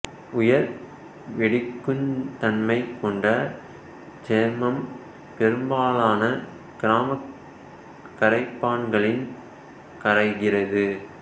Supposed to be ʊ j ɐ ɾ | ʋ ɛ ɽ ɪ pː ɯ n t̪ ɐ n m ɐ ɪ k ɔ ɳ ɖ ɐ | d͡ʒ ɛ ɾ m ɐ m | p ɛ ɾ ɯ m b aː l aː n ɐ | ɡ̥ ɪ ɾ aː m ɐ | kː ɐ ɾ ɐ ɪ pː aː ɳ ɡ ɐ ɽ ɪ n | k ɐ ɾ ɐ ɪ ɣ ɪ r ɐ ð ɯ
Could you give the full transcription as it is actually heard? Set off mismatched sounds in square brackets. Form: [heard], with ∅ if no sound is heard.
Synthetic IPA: ʊ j ɐ ɾ | ʋ ɛ ɽ ɪ [kː] ɯ n t̪ ɐ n m ɐ ɪ k ɔ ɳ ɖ ɐ | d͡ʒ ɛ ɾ m ɐ m | p ɛ ɾ ɯ m b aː l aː n ɐ | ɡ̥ ɪ ɾ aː m ɐ | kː ɐ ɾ ɐ ɪ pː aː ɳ ɡ ɐ [ɭ] ɪ n | k ɐ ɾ ɐ ɪ ɣ ɪ r ɐ ð ɯ

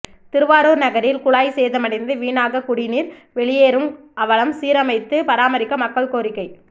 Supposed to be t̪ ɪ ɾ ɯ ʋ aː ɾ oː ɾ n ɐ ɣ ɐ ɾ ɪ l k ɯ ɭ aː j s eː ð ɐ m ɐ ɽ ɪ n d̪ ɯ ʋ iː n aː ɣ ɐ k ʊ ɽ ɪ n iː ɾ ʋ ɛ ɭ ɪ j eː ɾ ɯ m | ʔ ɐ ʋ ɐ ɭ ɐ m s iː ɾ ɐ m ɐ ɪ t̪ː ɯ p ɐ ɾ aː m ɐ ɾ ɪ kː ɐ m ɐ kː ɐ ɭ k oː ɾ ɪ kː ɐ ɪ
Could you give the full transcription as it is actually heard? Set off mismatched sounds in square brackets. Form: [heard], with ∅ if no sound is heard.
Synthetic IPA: t̪ ɪ ɾ ɯ ʋ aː ɾ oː ɾ n ɐ ɣ ɐ ɾ ɪ l k [ʊ] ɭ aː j s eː ð ɐ m ɐ ɽ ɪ n d̪ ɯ ʋ iː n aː ɣ ɐ k ʊ ɽ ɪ n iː ɾ ʋ ɛ ɭ ɪ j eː ɾ ɯ m | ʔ ɐ ʋ ɐ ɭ ɐ m s iː ɾ ɐ m ɐ ɪ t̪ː ɯ p ɐ ɾ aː m ɐ ɾ ɪ kː ɐ m ɐ kː ɐ ɭ k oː ɾ ɪ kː ɐ ɪ

